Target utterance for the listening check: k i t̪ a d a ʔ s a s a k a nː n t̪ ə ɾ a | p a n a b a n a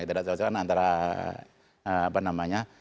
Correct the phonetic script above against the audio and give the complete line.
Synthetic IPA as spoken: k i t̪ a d a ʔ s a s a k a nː n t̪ a ɾ a | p a n a m a ɲ a